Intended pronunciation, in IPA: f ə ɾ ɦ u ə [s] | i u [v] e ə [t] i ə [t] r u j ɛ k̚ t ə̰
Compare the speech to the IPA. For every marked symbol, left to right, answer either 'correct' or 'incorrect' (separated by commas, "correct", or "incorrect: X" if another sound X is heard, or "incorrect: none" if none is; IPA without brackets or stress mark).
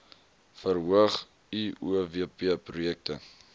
incorrect: χ, correct, incorrect: p, incorrect: p